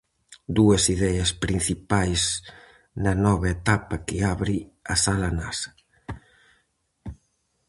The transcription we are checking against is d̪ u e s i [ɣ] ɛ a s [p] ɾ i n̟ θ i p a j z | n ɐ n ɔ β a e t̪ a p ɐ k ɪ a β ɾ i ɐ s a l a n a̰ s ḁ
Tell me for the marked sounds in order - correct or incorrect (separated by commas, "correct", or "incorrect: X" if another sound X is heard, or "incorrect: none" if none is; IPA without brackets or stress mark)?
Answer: incorrect: ð, correct